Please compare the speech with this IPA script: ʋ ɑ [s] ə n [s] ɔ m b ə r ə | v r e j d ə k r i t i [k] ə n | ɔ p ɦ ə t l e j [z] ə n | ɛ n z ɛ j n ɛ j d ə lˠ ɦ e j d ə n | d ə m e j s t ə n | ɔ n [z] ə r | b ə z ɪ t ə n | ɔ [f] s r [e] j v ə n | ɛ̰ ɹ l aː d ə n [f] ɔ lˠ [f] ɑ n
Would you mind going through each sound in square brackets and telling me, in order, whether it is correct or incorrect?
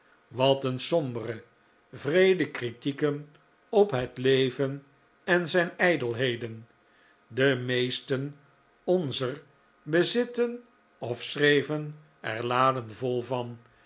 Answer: incorrect, correct, correct, incorrect, correct, correct, correct, incorrect, incorrect

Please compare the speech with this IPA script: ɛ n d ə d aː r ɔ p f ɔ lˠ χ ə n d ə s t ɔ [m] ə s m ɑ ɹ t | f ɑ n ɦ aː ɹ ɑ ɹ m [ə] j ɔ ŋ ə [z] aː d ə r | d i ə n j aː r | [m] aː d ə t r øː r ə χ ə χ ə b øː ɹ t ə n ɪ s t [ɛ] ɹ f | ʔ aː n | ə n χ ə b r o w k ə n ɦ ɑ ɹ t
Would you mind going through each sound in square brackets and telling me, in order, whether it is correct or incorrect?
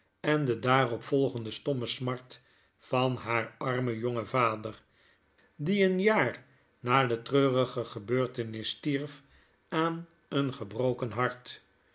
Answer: correct, correct, incorrect, incorrect, incorrect

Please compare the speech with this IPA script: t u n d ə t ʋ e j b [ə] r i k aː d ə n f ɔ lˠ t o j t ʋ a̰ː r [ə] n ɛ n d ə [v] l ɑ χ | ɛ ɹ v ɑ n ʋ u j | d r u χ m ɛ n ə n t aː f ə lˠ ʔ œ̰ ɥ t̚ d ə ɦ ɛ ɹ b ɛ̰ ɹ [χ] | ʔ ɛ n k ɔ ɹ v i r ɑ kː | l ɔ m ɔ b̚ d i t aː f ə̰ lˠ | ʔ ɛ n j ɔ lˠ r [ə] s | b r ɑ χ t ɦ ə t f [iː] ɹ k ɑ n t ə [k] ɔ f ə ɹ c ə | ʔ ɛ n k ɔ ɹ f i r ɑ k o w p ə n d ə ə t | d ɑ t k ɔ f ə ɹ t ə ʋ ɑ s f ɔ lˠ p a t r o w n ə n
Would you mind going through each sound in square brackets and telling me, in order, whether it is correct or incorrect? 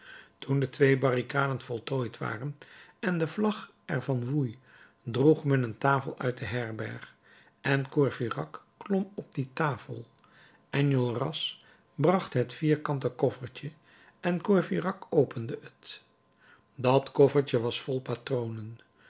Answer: incorrect, correct, correct, correct, incorrect, correct, correct

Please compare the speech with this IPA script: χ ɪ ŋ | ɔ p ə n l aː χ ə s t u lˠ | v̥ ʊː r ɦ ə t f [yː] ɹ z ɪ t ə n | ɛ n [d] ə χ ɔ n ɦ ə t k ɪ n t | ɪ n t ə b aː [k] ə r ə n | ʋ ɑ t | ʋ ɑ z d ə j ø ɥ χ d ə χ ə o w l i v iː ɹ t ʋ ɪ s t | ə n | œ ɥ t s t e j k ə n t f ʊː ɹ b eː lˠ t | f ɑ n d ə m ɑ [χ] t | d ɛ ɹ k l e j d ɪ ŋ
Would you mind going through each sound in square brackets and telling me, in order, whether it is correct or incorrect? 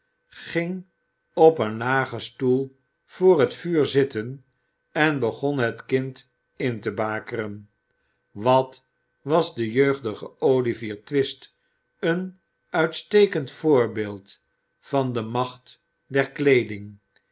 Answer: correct, incorrect, correct, correct

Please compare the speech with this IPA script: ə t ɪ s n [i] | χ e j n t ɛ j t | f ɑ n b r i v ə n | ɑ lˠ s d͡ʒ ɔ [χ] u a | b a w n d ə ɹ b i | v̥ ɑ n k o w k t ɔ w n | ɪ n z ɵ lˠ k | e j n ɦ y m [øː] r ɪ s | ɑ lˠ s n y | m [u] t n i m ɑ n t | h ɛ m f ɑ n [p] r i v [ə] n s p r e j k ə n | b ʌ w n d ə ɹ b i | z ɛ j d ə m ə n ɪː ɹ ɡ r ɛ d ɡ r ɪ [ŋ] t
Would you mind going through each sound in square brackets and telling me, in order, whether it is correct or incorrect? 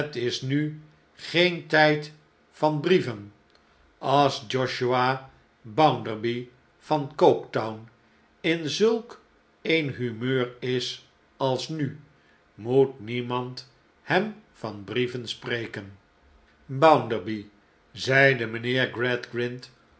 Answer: incorrect, incorrect, correct, correct, incorrect, correct, incorrect

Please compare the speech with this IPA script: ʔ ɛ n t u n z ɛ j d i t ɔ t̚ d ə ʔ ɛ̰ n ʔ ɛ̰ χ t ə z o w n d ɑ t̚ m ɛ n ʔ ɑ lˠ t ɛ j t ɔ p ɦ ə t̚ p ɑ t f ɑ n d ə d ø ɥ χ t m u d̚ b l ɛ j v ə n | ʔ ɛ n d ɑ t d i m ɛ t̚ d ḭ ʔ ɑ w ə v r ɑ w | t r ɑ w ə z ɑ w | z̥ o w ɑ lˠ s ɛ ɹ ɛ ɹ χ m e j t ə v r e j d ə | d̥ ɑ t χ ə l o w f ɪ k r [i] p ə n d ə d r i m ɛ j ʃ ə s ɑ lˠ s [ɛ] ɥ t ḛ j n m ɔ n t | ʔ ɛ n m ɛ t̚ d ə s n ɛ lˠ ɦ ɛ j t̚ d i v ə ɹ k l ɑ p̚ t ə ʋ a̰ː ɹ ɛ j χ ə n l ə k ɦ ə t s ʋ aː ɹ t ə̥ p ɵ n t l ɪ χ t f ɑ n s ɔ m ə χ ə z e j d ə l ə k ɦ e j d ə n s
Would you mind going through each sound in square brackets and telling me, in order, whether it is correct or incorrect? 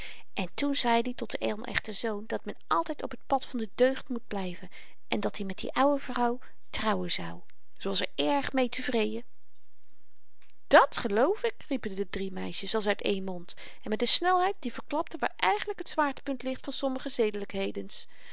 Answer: correct, incorrect

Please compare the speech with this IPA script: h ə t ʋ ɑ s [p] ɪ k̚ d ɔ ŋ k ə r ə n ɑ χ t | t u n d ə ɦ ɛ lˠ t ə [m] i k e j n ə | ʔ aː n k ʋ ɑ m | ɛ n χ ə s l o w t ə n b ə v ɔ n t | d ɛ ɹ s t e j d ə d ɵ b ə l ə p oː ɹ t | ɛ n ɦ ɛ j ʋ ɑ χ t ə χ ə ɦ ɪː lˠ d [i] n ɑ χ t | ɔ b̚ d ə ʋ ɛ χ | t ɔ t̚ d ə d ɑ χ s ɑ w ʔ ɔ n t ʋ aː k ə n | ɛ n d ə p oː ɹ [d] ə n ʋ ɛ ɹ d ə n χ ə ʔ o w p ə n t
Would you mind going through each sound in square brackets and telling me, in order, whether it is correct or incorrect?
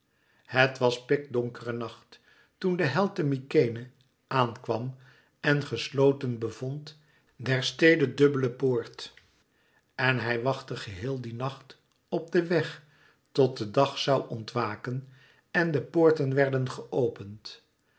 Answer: correct, correct, correct, incorrect

